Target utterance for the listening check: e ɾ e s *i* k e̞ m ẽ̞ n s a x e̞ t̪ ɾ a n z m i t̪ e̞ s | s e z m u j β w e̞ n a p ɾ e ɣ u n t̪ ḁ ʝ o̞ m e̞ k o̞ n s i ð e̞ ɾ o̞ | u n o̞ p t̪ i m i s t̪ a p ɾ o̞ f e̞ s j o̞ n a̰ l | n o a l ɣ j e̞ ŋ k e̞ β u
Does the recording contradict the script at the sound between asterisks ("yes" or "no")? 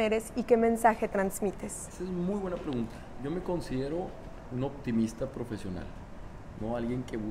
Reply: no